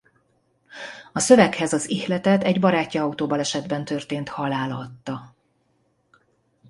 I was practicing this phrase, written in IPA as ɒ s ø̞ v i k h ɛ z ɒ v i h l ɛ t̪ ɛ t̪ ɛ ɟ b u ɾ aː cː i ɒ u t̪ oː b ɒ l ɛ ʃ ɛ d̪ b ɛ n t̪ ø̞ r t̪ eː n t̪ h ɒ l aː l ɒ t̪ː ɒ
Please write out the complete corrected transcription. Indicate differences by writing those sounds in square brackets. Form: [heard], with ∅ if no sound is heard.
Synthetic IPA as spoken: ɒ s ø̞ v [ɛ] k h ɛ z ɒ [z] i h l ɛ t̪ ɛ t̪ ɛ ɟ b [ɒ] ɾ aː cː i ɒ u t̪ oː b ɒ l ɛ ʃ ɛ d̪ b ɛ n t̪ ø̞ r t̪ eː n t̪ h ɒ l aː l ɒ t̪ː ɒ